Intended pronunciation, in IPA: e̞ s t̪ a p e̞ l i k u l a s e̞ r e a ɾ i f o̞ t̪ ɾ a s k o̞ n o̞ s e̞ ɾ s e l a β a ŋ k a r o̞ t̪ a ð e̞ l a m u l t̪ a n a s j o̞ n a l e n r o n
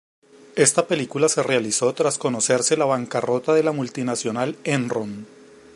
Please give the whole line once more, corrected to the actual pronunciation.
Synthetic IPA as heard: e̞ s t̪ a p e̞ l i k u l a s e̞ r e a l i s o̞ t̪ ɾ a s k o̞ n o̞ s e̞ ɾ s e l a β a ŋ k a r o̞ t̪ a ð e̞ l a m u l t̪ i n a s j o̞ n a l e n r o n